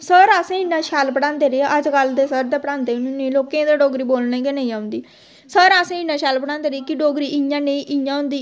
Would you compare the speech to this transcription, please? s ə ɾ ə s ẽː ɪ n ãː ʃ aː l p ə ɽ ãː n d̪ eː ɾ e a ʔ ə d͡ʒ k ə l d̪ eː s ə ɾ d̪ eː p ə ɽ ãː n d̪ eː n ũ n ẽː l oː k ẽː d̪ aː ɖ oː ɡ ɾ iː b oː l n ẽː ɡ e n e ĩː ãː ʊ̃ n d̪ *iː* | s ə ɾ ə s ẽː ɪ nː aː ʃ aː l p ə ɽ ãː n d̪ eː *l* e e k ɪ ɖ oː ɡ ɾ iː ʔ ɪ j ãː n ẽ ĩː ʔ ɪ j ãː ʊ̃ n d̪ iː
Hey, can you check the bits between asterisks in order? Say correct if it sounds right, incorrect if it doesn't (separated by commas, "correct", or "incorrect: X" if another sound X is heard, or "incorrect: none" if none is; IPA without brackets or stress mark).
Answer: correct, incorrect: ɾ